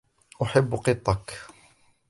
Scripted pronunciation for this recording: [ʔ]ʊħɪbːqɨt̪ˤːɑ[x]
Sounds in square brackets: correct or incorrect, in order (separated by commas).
correct, incorrect